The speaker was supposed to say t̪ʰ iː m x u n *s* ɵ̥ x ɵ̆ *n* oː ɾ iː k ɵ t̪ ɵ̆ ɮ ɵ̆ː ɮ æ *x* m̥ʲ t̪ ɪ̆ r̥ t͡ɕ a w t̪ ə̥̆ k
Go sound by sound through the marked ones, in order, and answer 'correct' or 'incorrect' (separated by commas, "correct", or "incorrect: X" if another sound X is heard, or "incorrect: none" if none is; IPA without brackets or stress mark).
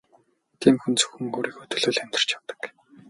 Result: incorrect: t͡s, incorrect: ŋ, incorrect: none